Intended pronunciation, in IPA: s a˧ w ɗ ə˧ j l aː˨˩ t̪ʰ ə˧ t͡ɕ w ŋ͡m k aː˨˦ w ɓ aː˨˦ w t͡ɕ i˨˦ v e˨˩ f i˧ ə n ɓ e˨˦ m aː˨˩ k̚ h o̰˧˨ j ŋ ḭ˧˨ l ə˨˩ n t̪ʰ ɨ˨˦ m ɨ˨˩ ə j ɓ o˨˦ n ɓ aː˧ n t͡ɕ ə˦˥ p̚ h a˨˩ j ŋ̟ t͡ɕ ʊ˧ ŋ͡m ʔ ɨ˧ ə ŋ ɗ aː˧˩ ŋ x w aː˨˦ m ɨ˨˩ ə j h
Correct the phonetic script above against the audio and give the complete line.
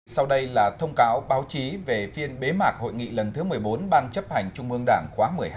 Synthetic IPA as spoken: s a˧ w ɗ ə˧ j l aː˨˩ t̪ʰ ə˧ w ŋ͡m k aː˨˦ w ɓ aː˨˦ w t͡ɕ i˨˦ v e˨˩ f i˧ ə n ɓ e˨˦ m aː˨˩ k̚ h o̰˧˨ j ŋ ḭ˧˨ l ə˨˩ n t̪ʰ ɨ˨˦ m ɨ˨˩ ə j ɓ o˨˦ n ɓ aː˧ n t͡ɕ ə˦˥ p̚ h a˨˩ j ŋ̟ t͡ɕ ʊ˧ ŋ͡m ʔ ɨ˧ ə ŋ ɗ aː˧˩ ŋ x w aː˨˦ m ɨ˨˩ ə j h

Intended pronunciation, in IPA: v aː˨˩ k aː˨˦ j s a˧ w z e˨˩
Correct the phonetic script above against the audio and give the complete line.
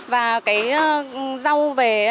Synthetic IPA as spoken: v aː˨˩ k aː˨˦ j z a˧ w v e˨˩

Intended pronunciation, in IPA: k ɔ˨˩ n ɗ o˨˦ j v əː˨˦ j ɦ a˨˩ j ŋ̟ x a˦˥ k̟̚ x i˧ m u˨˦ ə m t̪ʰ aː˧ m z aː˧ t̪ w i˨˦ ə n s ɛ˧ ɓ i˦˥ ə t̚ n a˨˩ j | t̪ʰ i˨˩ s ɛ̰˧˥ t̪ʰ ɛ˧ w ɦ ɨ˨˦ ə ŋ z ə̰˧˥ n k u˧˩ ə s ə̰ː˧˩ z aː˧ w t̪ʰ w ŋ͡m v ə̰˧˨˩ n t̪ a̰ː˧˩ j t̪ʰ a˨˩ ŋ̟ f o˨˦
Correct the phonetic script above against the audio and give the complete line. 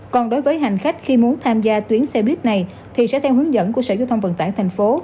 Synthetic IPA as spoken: k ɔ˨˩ n ɗ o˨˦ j v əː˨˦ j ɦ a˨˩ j ŋ̟ x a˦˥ k̟̚ x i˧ m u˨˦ ə n t̪ʰ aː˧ m z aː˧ t̪ w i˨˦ ə n s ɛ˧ ɓ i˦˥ ə t̚ n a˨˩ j | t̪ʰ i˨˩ s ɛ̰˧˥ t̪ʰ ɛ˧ w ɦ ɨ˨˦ ə ŋ z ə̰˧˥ n k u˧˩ ə s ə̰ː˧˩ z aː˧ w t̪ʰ w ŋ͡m v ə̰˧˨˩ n t̪ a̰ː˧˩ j t̪ʰ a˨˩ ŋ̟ f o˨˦

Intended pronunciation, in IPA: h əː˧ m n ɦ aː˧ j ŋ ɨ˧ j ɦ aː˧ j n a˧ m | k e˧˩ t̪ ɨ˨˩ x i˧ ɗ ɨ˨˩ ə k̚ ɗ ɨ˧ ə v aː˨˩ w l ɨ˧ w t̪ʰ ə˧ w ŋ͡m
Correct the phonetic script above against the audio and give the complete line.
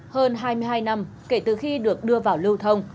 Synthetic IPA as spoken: h əː˧ n ɦ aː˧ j m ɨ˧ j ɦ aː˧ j n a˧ m | k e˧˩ t̪ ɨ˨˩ x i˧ ɗ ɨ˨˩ ə k̚ ɗ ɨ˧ ə v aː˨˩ w l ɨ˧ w t̪ʰ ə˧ w ŋ͡m

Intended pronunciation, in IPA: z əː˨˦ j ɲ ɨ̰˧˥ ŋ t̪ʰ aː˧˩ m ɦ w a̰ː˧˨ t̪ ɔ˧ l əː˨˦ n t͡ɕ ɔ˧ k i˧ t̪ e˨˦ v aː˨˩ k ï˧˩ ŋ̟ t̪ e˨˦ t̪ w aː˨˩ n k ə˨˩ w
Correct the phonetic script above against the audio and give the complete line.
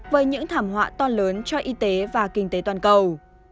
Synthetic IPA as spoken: v əː˨˦ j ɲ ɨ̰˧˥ ŋ t̪ʰ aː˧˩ m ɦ w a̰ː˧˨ t̪ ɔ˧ l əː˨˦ n t͡ɕ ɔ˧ ʔ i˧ t̪ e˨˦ v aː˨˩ k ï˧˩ ŋ̟ t̪ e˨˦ t̪ w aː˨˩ n k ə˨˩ w

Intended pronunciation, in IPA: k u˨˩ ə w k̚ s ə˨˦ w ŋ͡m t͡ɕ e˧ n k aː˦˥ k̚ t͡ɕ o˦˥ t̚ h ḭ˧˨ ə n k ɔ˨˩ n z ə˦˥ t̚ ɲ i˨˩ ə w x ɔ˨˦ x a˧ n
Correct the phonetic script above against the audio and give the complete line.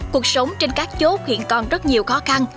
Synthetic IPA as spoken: k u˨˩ ə k̚ s ə˨˦ w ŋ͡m t͡ɕ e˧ n k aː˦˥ k̚ t͡ɕ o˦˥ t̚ h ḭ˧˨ ə n k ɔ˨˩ n z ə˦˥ t̚ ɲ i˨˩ ə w x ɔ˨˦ x a˧ n

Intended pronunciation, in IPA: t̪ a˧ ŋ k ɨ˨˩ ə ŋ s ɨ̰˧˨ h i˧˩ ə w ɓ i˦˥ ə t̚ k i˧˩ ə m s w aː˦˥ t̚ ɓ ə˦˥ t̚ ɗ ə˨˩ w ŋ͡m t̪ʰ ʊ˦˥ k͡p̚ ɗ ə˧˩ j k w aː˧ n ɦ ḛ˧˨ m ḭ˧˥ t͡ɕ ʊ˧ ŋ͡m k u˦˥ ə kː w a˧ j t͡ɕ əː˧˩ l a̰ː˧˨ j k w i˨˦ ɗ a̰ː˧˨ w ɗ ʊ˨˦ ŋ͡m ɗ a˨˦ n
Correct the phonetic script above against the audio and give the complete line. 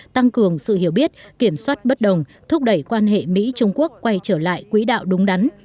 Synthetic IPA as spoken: t̪ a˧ ŋ k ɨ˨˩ ə ŋ s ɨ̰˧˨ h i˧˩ ə w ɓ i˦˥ ə t̚ k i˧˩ ə m s w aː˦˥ t̚ ɓ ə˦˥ t̚ ɗ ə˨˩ w ŋ͡m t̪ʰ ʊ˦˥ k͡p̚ ɗ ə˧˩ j k w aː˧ n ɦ ḛ˧˨ m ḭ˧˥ t͡ɕ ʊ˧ ŋ͡m k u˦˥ ə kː w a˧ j t͡ɕ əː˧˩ l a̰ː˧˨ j k w i˨˦ ɗ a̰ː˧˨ w ɗ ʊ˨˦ ŋ͡m ɗ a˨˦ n

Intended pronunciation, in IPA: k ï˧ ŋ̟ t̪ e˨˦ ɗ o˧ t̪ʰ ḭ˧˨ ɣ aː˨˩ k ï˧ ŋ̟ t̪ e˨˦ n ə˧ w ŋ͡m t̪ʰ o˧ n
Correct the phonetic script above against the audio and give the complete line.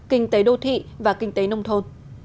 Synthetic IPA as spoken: k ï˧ ŋ̟ t̪ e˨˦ ɗ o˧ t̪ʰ ḭ˧˨ v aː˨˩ k ï˧ ŋ̟ t̪ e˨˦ n ə˧ w ŋ͡m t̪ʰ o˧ n

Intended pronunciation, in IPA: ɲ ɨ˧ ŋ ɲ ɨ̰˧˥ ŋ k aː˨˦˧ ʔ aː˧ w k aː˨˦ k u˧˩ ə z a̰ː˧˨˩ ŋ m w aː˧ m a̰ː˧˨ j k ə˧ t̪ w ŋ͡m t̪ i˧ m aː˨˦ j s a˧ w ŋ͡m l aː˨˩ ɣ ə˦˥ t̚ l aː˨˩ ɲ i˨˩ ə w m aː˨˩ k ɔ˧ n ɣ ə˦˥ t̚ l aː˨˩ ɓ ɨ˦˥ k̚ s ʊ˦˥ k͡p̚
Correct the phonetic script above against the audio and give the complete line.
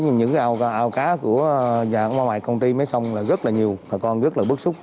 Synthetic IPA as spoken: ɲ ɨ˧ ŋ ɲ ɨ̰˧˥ ŋ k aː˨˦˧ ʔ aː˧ w k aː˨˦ k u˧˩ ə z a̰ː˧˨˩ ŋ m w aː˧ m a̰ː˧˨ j k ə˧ w ŋ͡m t̪ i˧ m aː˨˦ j s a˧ w ŋ͡m l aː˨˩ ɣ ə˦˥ t̚ l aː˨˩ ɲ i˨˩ ə w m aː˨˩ k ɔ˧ n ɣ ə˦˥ t̚ l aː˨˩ ɓ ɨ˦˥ k̚ s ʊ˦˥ k͡p̚

